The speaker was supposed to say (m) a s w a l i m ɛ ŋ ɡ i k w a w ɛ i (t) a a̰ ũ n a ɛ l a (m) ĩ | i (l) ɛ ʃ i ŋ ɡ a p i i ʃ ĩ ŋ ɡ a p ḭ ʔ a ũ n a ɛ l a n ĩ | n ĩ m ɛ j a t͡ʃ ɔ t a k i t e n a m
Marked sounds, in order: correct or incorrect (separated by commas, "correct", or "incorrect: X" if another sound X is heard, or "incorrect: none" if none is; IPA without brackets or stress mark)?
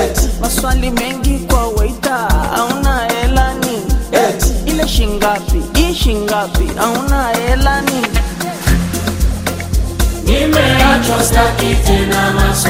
correct, correct, incorrect: n, correct